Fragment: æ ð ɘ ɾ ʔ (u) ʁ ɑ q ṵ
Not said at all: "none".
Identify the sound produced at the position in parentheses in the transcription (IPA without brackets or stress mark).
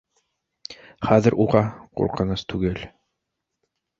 u